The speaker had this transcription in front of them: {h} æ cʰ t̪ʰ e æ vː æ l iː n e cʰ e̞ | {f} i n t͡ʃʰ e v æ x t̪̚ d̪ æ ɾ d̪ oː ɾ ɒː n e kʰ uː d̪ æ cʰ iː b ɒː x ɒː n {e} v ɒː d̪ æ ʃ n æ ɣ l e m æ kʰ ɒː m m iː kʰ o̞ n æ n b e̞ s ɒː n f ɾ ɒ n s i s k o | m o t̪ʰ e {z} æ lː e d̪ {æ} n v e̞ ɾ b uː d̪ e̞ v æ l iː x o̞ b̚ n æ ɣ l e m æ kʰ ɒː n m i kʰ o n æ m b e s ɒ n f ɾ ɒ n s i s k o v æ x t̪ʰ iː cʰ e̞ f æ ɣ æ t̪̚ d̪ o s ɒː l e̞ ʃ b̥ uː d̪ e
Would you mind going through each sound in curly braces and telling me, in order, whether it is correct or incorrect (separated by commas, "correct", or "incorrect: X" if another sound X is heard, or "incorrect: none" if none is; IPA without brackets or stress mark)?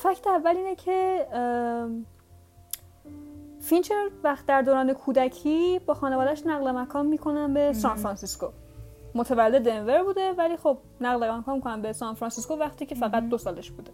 incorrect: f, correct, correct, incorrect: v, incorrect: e